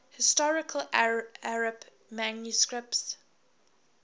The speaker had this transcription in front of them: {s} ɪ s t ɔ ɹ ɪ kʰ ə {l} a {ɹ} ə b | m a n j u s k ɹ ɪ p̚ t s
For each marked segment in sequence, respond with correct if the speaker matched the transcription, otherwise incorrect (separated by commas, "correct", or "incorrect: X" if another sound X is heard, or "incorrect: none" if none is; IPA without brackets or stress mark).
incorrect: h, correct, correct